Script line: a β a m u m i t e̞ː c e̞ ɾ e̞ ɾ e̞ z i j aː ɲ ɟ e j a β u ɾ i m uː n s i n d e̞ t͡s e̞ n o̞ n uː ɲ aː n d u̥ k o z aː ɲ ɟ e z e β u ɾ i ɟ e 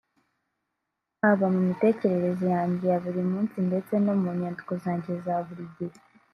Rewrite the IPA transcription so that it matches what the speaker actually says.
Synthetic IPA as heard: a β a m u m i t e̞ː c e̞ ɾ e̞ ɾ e̞ z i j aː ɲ ɟ e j a β u ɾ i m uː n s i n d e̞ t͡s e̞ n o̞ m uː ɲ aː n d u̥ k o z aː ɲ ɟ e z a β u ɾ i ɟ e